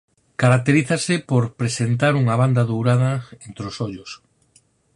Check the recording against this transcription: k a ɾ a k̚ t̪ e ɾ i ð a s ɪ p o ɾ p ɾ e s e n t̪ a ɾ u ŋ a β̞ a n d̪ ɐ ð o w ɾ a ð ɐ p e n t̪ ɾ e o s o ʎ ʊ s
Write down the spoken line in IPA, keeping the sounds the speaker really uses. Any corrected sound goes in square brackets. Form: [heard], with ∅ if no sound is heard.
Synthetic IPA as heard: k a ɾ a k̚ t̪ e ɾ i [θ] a s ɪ p o ɾ p ɾ e s e n t̪ a ɾ u ŋ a β̞ a n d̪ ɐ ð o w ɾ a ð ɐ [∅] e n t̪ ɾ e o s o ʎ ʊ s